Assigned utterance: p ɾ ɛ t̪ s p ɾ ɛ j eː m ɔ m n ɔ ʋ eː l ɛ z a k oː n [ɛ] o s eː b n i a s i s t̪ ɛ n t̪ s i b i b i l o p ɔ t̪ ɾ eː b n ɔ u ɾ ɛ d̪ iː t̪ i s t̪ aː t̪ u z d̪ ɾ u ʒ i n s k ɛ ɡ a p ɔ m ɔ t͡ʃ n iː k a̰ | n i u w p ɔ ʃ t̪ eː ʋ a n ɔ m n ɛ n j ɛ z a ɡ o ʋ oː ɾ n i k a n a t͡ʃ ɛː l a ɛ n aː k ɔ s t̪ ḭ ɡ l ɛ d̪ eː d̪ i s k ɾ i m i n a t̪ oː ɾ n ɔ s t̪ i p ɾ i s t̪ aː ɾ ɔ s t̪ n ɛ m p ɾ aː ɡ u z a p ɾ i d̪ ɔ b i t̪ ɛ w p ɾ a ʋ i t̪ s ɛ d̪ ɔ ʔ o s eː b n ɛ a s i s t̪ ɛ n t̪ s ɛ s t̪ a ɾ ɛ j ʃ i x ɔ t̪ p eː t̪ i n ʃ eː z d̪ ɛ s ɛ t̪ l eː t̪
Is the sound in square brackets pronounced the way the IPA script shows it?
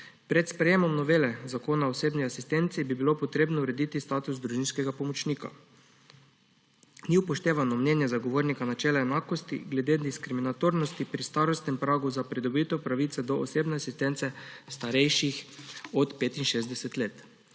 no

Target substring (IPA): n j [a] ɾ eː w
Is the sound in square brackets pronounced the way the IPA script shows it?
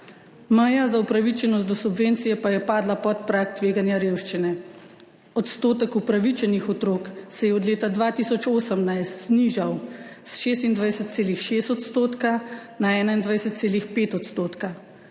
yes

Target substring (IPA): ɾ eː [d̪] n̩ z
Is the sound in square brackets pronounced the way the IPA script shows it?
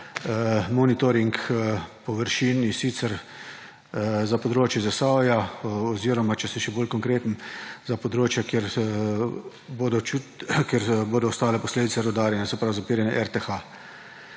no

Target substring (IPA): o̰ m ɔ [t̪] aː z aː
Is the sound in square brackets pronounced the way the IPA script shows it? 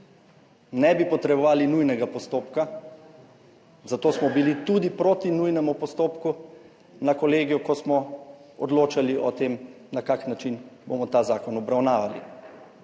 yes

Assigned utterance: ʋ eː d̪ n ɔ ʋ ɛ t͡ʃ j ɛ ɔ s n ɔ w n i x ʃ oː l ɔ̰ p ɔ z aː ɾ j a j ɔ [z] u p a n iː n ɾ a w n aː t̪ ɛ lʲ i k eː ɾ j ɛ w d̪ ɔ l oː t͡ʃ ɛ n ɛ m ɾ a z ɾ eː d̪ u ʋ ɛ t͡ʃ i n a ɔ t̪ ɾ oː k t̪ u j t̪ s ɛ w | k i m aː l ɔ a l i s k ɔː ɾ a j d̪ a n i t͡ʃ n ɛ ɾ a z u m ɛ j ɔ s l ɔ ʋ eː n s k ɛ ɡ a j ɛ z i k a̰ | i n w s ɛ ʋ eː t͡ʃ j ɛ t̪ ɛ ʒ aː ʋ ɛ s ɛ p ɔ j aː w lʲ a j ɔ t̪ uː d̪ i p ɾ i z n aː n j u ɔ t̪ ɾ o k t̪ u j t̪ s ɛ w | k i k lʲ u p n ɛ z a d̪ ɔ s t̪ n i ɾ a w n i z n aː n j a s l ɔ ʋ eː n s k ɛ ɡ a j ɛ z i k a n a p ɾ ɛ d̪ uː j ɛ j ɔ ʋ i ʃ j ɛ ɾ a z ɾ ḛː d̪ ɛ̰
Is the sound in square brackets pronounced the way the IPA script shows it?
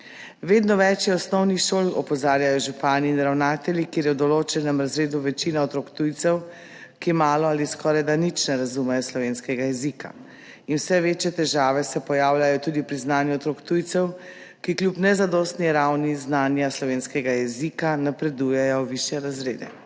no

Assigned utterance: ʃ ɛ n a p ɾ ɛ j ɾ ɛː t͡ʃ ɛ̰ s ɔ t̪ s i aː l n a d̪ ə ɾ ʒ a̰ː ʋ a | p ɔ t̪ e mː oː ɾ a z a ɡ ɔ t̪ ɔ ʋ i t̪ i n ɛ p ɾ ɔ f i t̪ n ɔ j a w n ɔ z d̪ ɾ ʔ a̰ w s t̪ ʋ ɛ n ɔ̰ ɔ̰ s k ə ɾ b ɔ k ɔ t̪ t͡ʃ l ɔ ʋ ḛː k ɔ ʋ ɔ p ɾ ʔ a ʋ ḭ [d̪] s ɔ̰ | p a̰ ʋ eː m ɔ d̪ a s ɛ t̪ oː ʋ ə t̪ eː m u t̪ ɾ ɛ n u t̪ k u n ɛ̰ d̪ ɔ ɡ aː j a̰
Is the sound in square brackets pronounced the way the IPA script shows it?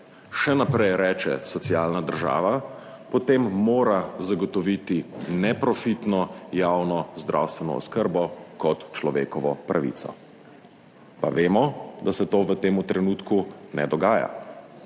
no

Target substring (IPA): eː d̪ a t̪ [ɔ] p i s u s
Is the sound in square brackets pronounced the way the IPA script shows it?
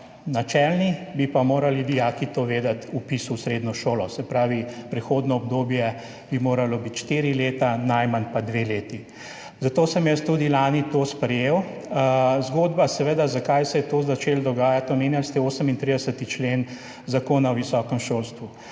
no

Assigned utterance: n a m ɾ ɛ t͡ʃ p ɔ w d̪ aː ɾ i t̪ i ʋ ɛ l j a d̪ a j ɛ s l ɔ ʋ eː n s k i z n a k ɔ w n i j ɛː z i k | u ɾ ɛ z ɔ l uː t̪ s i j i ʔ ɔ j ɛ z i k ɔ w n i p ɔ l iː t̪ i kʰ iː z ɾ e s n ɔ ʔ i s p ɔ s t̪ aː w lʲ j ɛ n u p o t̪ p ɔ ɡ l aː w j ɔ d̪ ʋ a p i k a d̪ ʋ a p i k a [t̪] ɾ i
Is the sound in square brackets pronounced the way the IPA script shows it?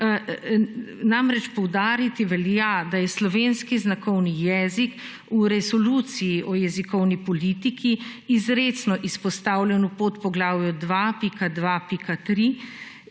yes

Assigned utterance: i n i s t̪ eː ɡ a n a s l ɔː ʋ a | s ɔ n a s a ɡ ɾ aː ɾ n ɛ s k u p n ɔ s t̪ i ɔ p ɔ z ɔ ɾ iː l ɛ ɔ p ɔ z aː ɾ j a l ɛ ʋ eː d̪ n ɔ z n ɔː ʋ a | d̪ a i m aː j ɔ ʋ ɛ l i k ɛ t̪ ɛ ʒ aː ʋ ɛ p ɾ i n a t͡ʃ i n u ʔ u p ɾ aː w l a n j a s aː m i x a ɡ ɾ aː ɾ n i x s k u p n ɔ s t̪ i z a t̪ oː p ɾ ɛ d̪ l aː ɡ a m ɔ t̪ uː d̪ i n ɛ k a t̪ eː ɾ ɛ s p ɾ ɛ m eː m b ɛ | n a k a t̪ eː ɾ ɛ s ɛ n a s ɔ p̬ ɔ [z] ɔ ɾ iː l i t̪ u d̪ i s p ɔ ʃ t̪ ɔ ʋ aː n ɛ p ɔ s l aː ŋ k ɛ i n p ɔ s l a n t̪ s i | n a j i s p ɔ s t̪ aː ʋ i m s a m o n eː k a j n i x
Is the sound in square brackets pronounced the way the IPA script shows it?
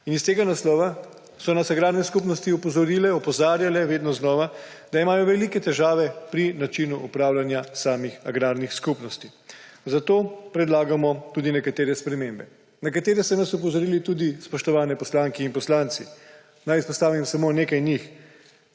yes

